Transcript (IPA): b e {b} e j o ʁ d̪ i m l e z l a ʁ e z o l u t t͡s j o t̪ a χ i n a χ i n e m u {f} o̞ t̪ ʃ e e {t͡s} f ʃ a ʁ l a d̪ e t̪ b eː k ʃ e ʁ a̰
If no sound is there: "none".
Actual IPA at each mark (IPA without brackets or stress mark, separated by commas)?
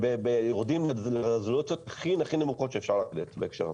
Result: b, χ, none